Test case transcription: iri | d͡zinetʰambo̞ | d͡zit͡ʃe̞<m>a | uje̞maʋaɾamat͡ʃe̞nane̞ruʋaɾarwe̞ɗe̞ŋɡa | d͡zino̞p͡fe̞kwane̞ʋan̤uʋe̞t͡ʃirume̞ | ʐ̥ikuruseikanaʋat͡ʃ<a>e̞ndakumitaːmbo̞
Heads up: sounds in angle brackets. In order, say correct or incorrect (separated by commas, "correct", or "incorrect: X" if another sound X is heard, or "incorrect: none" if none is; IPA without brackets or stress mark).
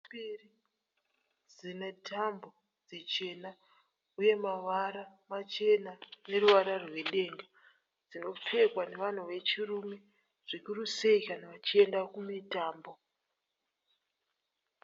incorrect: n, incorrect: i